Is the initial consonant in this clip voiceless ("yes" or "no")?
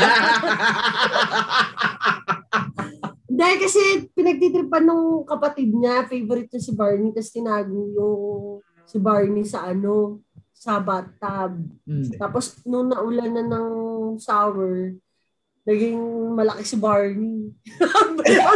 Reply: no